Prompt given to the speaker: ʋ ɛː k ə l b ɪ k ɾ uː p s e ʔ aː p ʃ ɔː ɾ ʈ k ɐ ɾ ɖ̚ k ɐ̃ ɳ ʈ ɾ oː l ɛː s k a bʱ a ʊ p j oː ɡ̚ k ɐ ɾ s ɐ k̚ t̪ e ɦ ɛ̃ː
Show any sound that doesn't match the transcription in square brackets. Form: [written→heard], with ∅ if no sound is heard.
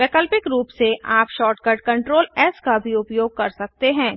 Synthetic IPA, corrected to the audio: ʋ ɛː k ə l [b→p] ɪ k ɾ uː p s e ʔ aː p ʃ ɔː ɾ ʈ k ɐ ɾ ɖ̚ k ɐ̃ ɳ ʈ ɾ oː l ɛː s k a bʱ [a→i] ʊ p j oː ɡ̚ k ɐ ɾ s ɐ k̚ t̪ e ɦ ɛ̃ː